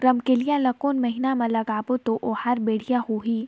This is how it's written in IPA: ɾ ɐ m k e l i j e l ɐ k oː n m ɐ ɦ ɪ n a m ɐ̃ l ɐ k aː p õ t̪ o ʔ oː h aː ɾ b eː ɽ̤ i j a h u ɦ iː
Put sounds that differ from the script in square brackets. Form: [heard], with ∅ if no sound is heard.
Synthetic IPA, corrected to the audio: ɾ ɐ m k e l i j [a] l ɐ k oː n m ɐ ɦ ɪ n a m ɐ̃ l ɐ [ɡ] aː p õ t̪ o ʔ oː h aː ɾ b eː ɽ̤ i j a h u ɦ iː